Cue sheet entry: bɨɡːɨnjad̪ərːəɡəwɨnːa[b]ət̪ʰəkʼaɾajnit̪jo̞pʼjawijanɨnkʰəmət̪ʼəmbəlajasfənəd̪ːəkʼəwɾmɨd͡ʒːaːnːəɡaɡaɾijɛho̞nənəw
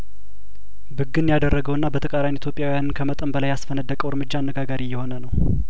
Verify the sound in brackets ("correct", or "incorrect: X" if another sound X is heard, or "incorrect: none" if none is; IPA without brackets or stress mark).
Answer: correct